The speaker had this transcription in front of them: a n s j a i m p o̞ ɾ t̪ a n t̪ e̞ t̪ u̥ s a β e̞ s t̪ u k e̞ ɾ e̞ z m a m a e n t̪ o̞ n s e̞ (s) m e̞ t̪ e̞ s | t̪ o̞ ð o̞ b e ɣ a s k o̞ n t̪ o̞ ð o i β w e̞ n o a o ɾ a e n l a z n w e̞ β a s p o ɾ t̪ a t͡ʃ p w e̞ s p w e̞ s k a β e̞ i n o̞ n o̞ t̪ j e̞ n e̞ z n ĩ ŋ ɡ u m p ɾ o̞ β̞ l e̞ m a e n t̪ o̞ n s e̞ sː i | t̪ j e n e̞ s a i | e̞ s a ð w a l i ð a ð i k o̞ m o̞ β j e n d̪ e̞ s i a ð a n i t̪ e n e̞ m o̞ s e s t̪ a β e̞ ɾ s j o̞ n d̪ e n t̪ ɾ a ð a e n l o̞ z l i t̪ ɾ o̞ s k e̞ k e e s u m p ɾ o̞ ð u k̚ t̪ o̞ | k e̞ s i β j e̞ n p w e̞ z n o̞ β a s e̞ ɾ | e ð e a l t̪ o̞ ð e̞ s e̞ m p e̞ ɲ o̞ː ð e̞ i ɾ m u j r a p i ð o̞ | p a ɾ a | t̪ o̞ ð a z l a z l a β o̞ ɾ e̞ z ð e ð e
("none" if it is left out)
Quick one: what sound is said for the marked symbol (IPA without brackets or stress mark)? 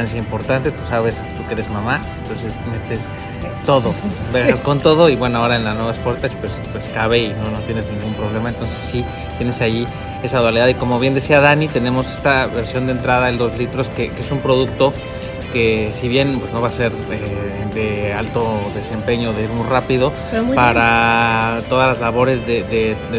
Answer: s